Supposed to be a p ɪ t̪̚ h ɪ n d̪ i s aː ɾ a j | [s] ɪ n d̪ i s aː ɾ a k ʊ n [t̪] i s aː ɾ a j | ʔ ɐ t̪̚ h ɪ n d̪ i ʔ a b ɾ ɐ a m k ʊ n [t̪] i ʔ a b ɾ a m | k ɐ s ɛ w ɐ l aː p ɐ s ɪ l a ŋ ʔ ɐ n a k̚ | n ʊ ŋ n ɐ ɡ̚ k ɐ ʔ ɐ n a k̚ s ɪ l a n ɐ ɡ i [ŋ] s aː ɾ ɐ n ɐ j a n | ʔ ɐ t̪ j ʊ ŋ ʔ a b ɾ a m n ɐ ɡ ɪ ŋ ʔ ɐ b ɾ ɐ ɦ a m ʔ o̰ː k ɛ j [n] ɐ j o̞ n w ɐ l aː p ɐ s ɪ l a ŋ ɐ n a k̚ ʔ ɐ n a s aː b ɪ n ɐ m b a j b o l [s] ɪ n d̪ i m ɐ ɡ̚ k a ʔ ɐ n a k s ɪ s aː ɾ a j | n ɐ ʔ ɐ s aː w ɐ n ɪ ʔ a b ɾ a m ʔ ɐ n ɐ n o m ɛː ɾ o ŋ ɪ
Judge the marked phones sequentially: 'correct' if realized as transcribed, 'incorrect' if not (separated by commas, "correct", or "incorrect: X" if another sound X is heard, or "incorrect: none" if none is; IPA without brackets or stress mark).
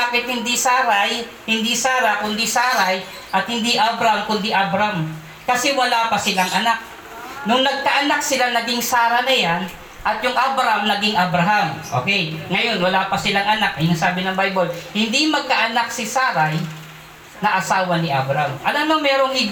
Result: incorrect: h, incorrect: d̪, incorrect: d̪, correct, incorrect: ŋ, incorrect: h